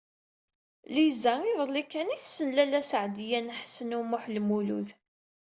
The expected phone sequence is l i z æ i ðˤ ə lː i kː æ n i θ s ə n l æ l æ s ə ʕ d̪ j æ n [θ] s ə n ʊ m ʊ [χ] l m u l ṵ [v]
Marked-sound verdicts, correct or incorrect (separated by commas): incorrect, incorrect, incorrect